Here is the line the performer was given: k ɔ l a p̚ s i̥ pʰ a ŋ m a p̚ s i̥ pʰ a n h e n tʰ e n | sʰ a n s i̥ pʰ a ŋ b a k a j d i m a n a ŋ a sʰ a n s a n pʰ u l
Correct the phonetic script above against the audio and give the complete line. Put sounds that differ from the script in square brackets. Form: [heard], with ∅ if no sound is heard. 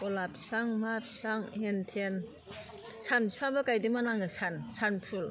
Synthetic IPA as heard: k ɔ l a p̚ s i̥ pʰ a ŋ m a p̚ s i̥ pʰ a [ŋ] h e n tʰ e n | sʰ a n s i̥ pʰ a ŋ b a k a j d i m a n a ŋ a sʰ a n s a n pʰ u l